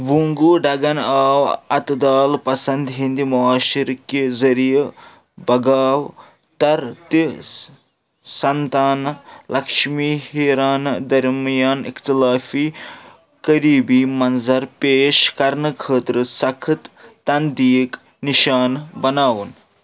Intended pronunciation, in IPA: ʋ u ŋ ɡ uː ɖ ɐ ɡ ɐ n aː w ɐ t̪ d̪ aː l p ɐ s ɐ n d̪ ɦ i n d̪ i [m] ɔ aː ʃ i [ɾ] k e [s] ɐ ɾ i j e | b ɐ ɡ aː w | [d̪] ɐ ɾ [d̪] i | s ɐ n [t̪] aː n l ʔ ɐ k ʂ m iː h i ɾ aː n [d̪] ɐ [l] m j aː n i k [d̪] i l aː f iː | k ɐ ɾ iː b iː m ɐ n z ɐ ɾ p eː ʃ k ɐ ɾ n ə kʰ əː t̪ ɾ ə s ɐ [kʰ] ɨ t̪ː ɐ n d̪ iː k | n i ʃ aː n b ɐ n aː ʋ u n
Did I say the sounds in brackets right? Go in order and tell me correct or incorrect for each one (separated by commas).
correct, correct, incorrect, incorrect, incorrect, correct, correct, incorrect, incorrect, correct